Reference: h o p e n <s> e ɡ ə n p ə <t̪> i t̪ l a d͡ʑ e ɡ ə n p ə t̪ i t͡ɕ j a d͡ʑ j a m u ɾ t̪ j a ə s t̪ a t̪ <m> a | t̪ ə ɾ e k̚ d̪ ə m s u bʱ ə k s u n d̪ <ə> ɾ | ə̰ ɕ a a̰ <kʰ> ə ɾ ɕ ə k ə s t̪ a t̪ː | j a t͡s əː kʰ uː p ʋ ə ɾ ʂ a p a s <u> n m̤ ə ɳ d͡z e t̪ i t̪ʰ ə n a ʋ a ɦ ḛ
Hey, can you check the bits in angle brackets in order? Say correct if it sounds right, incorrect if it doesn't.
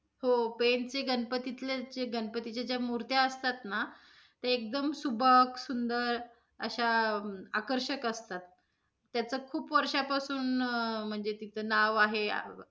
incorrect: t͡s, correct, incorrect: n, correct, incorrect: k, incorrect: uː

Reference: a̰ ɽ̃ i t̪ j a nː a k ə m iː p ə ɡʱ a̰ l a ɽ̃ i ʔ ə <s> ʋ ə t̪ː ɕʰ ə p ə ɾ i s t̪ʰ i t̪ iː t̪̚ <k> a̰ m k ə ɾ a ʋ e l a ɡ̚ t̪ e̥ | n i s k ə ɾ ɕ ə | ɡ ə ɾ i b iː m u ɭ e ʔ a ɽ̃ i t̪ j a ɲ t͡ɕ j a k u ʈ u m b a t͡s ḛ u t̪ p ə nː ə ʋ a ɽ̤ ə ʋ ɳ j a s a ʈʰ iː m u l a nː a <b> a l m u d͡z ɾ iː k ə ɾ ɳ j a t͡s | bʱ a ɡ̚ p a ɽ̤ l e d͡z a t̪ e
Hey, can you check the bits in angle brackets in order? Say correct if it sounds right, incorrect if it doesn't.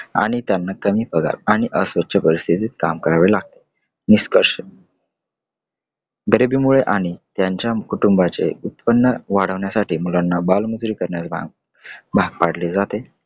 correct, correct, correct

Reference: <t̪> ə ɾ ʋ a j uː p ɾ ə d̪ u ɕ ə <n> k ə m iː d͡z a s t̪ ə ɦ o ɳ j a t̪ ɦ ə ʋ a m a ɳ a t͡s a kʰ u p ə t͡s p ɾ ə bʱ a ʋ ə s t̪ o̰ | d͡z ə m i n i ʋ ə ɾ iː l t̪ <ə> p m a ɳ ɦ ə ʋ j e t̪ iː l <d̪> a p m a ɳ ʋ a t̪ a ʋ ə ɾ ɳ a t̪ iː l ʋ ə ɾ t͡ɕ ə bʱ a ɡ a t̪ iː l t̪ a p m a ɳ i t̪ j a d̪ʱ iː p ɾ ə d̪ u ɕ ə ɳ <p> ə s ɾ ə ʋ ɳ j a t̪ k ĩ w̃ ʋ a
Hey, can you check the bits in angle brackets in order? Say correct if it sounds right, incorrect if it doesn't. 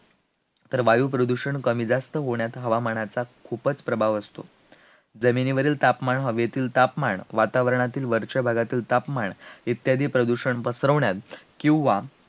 correct, incorrect: ɳ, incorrect: a, incorrect: t̪, correct

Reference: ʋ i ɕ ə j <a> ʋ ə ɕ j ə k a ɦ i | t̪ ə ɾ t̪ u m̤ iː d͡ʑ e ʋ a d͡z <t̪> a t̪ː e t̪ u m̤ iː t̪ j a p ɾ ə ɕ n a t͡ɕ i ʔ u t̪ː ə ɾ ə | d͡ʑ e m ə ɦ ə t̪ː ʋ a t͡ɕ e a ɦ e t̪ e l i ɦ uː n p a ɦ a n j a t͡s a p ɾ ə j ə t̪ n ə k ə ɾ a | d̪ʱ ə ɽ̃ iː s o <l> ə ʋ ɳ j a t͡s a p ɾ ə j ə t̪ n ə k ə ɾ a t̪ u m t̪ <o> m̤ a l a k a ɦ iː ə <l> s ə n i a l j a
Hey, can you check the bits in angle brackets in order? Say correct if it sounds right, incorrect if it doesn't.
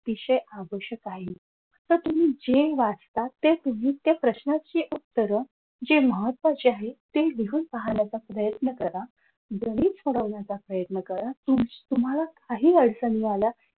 correct, correct, incorrect: ɽ, incorrect: u, incorrect: ɽ

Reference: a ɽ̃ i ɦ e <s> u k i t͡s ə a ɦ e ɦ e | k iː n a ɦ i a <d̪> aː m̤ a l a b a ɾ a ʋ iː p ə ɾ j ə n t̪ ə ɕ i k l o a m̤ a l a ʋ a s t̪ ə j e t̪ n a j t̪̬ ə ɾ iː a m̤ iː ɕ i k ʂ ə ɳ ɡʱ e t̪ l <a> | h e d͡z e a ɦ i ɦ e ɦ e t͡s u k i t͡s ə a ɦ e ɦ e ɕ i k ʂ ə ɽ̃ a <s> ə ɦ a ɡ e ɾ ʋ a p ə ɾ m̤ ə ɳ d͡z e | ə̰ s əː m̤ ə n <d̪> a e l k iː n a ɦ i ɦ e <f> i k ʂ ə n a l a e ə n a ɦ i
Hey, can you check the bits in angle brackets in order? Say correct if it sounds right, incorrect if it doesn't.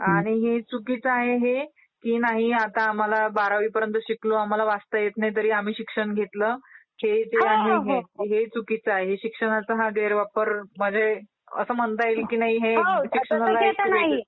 incorrect: t͡s, incorrect: t̪, incorrect: ə, incorrect: t͡s, incorrect: t̪, incorrect: ɕ

